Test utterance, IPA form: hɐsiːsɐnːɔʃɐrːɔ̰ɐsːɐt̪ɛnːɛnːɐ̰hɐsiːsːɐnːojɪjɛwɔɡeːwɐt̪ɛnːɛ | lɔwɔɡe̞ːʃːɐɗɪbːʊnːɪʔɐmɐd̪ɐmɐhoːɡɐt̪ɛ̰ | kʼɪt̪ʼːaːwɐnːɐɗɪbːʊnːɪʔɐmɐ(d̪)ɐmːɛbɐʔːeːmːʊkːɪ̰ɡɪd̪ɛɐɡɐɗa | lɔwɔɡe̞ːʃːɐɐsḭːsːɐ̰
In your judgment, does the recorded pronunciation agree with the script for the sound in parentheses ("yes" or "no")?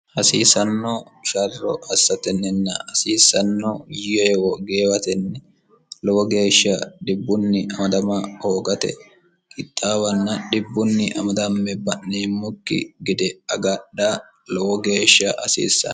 yes